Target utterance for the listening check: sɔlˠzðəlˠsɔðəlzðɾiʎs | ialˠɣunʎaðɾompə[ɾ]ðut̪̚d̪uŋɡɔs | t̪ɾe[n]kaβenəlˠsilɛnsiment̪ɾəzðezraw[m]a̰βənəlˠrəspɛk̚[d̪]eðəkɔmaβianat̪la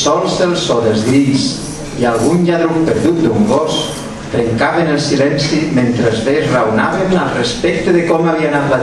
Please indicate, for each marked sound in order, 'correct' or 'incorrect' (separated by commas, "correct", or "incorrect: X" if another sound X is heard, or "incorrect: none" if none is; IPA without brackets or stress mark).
correct, incorrect: ŋ, incorrect: n, incorrect: t̪